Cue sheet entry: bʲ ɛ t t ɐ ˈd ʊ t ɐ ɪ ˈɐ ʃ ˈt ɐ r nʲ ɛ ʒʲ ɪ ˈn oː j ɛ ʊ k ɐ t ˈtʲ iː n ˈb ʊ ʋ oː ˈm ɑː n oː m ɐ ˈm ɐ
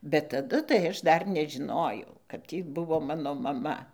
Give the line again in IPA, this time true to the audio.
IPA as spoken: bʲ ɛ t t ɐ ˈd ʊ t ɐ ɪ ˈɐ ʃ ˈd ɐ r nʲ ɛ ʒʲ ɪ ˈn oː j ɛ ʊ k ɐ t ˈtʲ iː ˈb ʊ ʋ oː ˈm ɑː n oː m ɐ ˈm ɐ